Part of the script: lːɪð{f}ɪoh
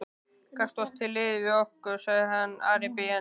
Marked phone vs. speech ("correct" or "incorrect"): incorrect